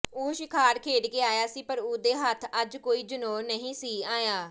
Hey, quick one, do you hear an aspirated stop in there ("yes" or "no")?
yes